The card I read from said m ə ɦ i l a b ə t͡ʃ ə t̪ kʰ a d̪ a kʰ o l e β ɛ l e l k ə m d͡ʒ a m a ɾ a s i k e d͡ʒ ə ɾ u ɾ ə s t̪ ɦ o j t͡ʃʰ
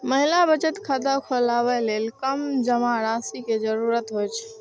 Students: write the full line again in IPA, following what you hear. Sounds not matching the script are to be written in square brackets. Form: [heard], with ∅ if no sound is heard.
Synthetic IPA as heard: m ə ɦ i l a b ə t͡ʃ ə t̪ kʰ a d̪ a kʰ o l [a] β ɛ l e l k ə m d͡ʒ [ə] m a ɾ a s i k e d͡ʒ ə ɾ u ɾ ə [∅] t̪ ɦ o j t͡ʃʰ